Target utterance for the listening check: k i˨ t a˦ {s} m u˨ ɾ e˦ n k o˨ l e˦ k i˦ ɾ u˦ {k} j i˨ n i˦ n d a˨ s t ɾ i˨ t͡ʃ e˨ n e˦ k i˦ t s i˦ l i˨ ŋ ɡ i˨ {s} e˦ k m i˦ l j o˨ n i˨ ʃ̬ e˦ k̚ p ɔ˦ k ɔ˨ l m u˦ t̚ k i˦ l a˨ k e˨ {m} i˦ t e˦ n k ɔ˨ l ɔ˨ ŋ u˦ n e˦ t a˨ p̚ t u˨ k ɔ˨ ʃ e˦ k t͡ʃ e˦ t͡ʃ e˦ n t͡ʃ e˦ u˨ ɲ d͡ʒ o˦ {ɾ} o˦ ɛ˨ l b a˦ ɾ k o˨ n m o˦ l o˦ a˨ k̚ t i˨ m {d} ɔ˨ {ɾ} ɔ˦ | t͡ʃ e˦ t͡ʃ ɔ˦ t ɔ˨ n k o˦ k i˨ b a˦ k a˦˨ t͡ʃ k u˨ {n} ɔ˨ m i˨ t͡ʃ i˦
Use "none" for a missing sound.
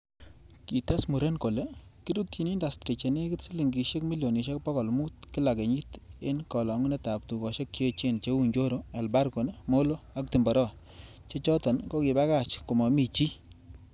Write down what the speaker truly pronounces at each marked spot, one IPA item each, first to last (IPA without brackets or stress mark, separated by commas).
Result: s, t, ʃ, ɲ, ɾ, b, ɾ, m